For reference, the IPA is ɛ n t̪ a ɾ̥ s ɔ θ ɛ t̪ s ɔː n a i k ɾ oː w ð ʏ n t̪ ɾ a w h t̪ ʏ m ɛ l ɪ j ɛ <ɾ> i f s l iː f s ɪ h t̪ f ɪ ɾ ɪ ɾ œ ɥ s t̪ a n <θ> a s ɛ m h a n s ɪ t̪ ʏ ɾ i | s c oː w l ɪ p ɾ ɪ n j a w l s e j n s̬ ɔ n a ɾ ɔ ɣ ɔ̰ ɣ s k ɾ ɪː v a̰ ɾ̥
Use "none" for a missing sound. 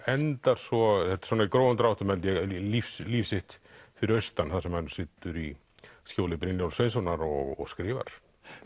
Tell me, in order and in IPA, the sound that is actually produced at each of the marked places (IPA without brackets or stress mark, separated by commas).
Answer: l, θ